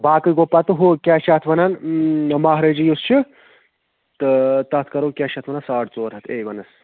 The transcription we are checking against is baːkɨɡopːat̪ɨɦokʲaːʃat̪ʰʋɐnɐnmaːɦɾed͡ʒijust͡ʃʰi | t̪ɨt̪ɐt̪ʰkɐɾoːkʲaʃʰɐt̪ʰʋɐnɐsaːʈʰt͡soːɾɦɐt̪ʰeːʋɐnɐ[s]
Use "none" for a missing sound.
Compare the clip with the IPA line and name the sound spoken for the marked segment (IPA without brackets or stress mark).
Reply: s